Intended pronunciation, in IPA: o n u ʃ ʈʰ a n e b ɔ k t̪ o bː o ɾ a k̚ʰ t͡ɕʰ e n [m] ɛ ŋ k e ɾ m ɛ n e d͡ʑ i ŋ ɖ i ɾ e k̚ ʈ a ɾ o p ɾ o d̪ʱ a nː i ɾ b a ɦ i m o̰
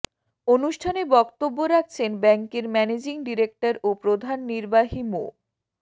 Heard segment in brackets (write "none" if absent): b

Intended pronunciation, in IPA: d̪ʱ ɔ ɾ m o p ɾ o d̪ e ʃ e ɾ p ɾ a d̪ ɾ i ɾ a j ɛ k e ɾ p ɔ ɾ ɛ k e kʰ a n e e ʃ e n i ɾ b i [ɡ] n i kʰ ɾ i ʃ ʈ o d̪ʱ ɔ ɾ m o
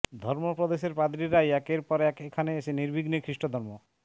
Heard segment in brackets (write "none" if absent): ɡ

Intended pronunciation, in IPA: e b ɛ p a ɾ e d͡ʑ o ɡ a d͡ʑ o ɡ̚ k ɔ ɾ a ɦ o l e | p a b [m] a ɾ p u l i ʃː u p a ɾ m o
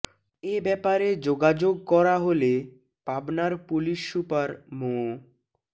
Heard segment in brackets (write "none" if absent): n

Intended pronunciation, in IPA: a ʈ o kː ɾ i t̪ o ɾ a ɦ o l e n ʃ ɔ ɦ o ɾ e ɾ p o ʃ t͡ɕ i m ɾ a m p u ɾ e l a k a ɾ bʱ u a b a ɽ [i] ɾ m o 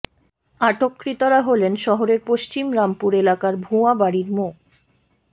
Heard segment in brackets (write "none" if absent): i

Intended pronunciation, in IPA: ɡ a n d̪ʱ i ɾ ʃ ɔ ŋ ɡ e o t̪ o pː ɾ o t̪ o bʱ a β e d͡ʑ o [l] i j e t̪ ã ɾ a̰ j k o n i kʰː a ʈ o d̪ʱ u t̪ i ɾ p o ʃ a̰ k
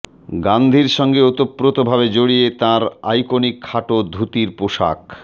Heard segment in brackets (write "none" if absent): ɽ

